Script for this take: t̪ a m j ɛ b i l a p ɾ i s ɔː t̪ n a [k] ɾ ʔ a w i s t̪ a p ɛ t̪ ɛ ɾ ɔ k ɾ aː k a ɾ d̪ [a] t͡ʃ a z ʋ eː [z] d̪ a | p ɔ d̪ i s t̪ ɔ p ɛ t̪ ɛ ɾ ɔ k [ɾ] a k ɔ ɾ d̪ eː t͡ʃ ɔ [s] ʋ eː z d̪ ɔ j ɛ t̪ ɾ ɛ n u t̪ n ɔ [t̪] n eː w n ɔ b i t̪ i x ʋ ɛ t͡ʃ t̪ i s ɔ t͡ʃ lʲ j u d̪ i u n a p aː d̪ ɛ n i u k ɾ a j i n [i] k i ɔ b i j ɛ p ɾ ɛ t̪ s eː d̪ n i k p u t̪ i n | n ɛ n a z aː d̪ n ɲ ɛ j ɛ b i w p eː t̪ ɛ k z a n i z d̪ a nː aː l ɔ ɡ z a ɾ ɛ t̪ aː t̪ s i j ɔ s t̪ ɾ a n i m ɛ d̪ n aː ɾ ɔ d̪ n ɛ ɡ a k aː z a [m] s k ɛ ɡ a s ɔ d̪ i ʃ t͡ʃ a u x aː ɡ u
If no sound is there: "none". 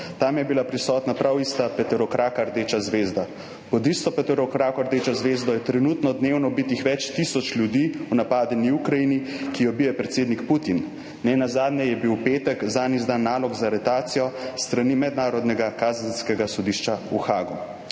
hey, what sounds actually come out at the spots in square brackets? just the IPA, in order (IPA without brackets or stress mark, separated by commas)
p, e, z, ɾ, z, d̪, i, n